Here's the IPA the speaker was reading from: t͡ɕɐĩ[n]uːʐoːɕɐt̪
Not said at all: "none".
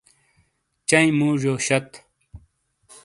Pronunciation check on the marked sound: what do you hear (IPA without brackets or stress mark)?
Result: m